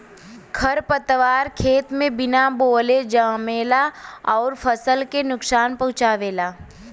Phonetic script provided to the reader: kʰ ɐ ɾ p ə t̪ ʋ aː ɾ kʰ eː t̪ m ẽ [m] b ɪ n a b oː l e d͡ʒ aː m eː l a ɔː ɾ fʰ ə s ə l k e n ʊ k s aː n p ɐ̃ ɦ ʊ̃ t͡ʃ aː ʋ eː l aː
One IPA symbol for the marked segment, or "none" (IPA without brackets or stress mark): none